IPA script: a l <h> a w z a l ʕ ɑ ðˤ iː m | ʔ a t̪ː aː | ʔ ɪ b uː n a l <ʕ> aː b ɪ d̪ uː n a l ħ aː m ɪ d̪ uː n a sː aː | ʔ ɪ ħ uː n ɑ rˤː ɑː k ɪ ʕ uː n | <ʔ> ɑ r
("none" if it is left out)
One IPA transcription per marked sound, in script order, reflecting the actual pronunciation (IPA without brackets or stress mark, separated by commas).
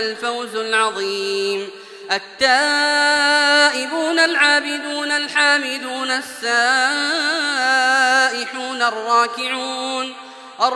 f, ʕ, ʔ